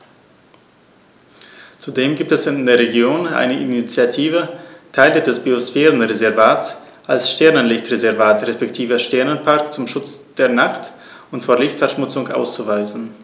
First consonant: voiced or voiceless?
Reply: voiceless